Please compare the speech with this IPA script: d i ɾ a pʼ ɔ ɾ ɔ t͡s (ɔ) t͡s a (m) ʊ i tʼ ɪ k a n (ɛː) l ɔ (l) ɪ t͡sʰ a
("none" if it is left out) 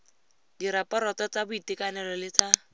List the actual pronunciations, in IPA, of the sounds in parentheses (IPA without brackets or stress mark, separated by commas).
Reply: ɔ, b, ɛ, l